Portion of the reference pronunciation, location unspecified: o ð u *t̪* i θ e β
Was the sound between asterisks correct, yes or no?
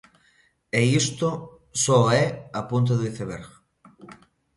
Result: no